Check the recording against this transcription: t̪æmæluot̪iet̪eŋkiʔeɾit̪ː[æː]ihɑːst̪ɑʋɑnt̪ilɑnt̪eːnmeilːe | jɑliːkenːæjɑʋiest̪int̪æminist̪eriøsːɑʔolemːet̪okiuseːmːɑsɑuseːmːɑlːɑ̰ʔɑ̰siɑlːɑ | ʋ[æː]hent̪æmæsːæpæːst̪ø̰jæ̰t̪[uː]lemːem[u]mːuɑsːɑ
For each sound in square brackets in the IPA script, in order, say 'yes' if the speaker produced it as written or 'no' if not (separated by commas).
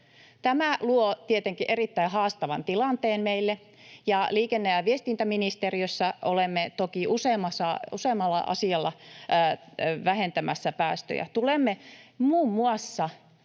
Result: no, no, no, no